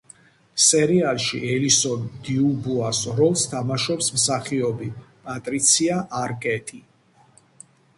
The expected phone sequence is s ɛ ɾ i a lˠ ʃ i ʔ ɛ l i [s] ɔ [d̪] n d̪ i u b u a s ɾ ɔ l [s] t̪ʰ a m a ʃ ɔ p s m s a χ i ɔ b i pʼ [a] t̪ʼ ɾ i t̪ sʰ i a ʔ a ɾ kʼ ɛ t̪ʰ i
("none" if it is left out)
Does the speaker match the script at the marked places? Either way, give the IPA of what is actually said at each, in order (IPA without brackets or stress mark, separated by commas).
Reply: s, none, s, a